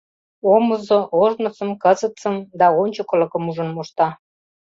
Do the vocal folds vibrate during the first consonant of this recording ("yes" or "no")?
yes